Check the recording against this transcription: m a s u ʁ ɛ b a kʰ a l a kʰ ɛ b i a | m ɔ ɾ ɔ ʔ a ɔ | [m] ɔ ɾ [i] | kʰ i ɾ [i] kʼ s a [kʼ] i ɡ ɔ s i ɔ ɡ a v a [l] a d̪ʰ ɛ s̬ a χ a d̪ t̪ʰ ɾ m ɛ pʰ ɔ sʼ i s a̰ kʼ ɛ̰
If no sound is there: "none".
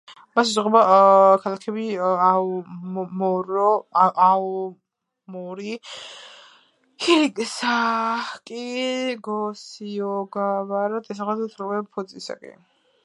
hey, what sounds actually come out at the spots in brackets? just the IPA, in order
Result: m, i, i, kʼ, ɾ

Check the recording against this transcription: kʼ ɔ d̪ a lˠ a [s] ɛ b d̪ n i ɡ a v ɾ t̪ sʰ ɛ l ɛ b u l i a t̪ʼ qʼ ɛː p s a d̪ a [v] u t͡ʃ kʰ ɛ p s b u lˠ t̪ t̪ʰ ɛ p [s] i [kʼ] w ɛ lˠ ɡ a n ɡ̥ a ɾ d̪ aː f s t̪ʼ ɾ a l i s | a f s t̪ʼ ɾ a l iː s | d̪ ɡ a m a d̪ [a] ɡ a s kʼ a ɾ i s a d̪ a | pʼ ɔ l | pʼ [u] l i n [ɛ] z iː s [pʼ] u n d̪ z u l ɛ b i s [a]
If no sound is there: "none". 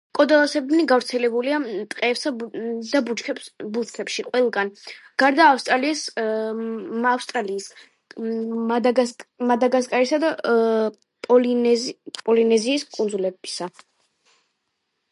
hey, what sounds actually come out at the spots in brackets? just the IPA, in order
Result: s, b, ʃ, qʼ, a, ɔ, ɛ, kʼ, a

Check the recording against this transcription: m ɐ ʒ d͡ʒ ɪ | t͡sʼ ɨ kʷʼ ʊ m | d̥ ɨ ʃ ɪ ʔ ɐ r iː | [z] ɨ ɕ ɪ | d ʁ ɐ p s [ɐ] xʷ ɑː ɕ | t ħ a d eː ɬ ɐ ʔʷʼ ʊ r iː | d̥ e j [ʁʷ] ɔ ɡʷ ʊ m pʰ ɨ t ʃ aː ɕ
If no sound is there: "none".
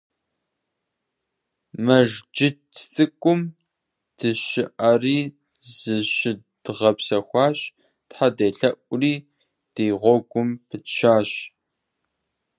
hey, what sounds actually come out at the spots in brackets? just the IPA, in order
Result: z, ɐ, ʁʷ

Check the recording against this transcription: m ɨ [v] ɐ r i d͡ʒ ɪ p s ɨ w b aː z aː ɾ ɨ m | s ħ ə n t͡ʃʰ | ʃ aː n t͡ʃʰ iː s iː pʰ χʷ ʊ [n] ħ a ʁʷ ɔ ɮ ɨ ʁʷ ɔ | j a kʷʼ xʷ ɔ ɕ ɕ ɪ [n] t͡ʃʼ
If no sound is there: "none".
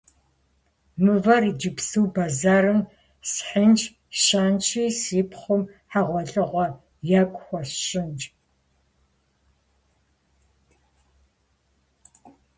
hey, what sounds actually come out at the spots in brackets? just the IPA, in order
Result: v, m, n

